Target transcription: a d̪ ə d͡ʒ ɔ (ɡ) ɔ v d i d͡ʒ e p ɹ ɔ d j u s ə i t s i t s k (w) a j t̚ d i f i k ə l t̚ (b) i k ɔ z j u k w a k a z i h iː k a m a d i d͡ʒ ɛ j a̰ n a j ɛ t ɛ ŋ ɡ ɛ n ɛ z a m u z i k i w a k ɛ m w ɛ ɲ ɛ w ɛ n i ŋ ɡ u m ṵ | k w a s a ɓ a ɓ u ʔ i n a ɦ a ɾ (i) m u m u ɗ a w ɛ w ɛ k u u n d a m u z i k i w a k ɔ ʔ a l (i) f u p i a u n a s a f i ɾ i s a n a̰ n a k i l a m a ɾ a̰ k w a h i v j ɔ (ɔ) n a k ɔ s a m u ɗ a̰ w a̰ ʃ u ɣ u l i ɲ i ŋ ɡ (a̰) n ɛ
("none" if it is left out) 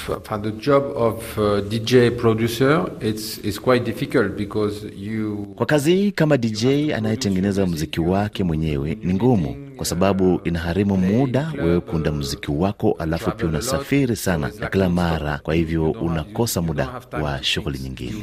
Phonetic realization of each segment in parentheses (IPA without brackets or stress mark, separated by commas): b, w, b, i, a, u, ḭ